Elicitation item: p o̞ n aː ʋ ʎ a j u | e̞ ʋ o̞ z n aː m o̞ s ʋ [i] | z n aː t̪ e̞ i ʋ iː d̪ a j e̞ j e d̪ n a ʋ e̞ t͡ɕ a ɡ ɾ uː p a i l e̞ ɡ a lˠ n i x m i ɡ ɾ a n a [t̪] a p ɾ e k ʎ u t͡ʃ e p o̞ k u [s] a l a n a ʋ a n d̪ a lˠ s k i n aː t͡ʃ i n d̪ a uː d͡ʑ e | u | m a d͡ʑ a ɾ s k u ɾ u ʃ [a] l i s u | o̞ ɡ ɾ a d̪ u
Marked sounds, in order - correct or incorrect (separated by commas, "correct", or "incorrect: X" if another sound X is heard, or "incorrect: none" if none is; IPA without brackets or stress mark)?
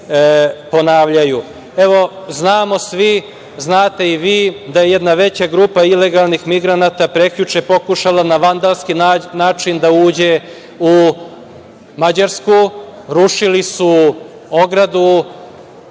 correct, correct, incorrect: ʃ, incorrect: i